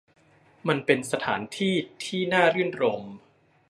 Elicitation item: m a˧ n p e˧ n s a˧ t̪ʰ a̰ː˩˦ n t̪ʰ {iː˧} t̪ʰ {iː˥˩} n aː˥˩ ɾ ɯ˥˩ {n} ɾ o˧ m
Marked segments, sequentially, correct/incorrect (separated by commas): incorrect, correct, correct